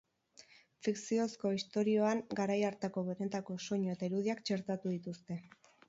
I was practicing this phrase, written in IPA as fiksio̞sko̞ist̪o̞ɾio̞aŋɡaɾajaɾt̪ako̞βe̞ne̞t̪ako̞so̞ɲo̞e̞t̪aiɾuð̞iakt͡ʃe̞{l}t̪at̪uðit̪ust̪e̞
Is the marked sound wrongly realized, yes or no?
yes